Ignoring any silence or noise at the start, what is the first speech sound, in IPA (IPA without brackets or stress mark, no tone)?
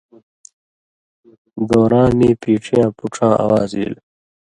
d̪